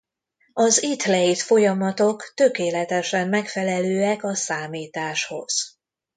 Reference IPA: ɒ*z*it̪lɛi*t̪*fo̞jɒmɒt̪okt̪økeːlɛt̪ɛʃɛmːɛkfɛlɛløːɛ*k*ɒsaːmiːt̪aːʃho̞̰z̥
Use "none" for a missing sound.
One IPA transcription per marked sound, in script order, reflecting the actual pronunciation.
z, t̪, k

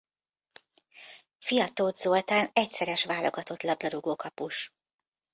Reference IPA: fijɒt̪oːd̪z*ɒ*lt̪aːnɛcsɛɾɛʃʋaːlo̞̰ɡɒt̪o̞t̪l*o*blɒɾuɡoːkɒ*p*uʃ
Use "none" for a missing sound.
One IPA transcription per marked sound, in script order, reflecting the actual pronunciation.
o, ɒ, p

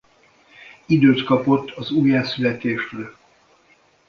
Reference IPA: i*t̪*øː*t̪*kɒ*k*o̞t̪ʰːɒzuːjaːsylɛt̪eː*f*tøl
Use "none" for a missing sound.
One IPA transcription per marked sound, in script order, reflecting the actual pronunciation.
d̪, t̪, p, ʃ

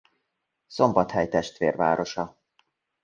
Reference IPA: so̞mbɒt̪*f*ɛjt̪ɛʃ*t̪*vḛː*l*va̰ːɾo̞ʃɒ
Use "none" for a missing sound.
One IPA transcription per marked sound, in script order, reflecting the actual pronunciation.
h, t̪, r

